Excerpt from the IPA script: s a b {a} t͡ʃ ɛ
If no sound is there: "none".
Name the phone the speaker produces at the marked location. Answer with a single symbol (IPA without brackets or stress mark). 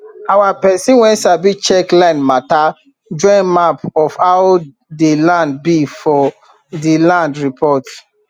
i